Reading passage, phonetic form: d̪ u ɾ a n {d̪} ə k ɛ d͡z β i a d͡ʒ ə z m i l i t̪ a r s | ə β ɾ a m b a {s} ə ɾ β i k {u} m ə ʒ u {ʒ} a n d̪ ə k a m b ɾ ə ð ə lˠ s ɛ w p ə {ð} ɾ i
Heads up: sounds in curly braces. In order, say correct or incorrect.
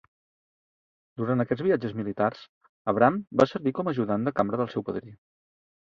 incorrect: t̪, correct, incorrect: ɔ, incorrect: ð, correct

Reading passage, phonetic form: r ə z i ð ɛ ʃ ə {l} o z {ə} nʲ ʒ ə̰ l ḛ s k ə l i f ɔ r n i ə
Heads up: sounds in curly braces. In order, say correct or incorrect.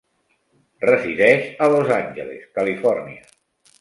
correct, incorrect: a

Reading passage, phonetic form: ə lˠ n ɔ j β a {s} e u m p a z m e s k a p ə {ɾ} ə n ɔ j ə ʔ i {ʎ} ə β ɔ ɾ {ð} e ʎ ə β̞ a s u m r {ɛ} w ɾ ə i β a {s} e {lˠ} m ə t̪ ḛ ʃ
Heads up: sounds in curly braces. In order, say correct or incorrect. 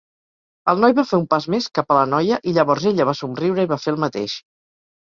incorrect: f, incorrect: l, correct, incorrect: z, incorrect: i, incorrect: f, correct

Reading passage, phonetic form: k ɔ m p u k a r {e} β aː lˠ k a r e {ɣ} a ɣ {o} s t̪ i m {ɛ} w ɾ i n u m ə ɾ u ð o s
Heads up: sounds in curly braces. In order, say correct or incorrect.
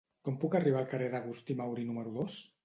incorrect: i, incorrect: ð, incorrect: u, incorrect: a

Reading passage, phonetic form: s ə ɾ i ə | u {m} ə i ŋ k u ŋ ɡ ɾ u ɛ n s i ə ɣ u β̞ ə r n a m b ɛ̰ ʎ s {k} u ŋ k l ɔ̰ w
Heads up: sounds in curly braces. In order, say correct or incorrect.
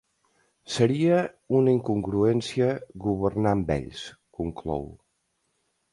incorrect: n, correct

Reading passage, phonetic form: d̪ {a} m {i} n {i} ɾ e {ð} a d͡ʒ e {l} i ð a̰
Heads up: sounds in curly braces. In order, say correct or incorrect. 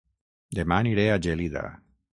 incorrect: e, incorrect: a, correct, incorrect: none, correct

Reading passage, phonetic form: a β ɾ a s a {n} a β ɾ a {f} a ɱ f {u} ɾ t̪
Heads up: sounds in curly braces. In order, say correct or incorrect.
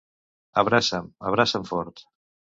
incorrect: m, incorrect: s, incorrect: ɔ

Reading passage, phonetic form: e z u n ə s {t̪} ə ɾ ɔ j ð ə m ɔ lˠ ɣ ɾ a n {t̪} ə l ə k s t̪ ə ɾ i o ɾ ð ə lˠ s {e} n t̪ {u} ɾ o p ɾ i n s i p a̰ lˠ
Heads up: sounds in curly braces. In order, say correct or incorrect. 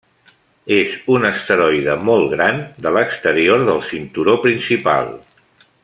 correct, incorrect: d̪, incorrect: i, correct

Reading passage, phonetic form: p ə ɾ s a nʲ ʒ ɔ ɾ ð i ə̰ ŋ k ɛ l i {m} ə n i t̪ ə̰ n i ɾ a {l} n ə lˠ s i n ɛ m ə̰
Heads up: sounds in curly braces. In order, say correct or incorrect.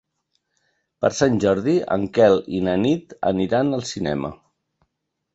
incorrect: n, incorrect: none

